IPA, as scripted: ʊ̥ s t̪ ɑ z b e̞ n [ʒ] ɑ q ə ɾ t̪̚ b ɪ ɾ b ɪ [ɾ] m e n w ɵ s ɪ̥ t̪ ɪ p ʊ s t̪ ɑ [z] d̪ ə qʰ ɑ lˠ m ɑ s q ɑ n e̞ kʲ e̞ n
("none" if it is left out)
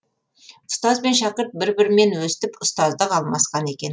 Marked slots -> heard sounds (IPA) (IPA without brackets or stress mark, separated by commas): ʃ, ɾ, z